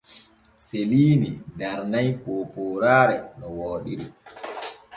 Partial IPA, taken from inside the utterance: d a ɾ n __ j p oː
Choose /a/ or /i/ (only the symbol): a